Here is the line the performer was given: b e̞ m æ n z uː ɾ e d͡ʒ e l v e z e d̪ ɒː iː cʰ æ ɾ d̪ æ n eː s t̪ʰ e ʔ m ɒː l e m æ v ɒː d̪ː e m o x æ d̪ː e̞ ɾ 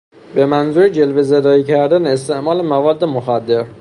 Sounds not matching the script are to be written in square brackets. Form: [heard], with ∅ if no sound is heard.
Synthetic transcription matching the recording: b e̞ m æ n z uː ɾ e d͡ʒ e l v e z e d̪ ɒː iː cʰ æ ɾ d̪ æ n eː s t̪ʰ e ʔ m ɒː l e m æ v ɒː d̪ː e m o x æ d̪ː e̞ ɾ